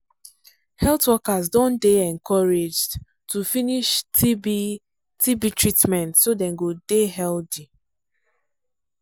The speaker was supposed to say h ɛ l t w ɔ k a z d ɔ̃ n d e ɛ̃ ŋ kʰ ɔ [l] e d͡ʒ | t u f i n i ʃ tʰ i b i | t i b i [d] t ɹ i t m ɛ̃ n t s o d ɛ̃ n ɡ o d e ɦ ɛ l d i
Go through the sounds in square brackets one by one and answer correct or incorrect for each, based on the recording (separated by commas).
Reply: incorrect, incorrect